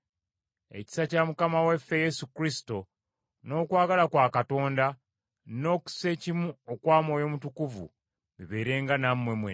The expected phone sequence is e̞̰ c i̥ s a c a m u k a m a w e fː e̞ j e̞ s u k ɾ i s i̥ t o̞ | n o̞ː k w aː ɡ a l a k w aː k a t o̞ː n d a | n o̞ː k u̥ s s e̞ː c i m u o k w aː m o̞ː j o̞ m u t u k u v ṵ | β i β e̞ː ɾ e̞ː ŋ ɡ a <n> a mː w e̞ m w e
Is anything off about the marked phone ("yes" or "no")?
no